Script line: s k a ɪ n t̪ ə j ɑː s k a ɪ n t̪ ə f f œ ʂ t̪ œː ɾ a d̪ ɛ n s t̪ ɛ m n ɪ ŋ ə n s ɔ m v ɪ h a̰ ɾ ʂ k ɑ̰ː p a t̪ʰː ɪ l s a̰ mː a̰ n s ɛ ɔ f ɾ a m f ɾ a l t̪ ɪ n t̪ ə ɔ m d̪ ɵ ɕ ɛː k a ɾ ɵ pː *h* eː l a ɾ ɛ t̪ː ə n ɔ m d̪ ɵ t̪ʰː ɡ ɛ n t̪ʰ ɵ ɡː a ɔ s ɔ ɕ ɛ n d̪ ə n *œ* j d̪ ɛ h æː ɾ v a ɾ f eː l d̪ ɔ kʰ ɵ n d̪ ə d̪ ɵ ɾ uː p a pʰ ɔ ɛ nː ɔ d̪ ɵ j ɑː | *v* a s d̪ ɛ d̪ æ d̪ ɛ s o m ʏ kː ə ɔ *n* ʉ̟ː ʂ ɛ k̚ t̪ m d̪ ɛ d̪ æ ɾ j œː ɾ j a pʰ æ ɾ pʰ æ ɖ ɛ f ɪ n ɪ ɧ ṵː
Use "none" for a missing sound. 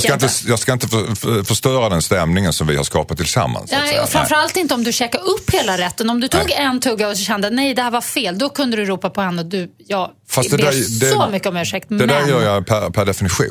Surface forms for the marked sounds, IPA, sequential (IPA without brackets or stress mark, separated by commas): h, ɛ, f, m